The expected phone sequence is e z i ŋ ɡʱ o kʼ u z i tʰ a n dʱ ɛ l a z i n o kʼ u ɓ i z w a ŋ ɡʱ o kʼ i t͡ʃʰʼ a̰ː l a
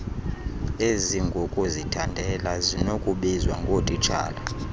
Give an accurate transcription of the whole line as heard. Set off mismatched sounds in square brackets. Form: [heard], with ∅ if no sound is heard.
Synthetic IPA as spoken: e z i ŋ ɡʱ o kʼ u z i tʰ a n dʱ ɛ l a z i n o kʼ u ɓ i z w a ŋ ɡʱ o [tʼ] i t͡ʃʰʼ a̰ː l a